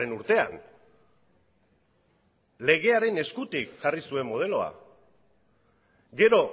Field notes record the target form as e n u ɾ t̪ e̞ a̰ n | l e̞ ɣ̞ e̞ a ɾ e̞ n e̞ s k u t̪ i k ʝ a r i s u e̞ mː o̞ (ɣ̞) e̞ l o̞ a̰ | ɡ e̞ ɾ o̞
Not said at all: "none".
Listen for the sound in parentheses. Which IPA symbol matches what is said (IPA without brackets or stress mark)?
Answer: ð̞